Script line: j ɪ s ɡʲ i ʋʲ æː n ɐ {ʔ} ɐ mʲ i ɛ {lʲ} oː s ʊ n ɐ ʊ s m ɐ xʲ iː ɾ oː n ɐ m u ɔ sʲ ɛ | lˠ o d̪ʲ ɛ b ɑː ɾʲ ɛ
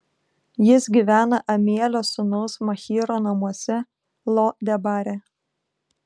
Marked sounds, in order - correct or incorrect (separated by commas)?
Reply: correct, correct